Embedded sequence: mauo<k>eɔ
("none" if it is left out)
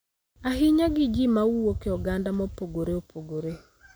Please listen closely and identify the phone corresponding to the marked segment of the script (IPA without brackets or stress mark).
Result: k